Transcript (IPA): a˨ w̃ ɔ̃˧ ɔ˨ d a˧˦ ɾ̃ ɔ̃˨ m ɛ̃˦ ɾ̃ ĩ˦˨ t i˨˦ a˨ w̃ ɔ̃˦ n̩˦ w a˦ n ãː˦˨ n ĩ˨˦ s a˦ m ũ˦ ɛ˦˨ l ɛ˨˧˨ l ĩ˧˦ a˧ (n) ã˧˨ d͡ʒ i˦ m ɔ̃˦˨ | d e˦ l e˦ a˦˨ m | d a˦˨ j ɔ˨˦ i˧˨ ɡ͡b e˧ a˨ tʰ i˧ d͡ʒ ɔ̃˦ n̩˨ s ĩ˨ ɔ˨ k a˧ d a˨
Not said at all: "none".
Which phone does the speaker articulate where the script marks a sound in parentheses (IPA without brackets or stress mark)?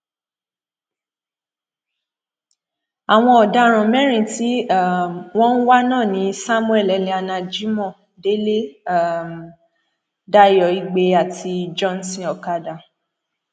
n